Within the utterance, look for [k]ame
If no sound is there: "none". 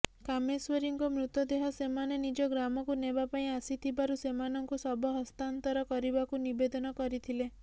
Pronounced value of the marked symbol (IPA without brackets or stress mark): k